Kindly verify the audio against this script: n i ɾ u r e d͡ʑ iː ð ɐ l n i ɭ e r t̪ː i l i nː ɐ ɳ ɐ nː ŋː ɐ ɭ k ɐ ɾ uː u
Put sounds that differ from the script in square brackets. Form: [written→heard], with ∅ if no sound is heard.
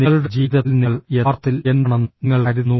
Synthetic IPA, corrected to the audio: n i [ɾ→ɭ] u [r→ɽ] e d͡ʑ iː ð ɐ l n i ɭ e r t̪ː i l [i→e] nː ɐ ɳ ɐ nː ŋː ɐ ɭ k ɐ ɾ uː u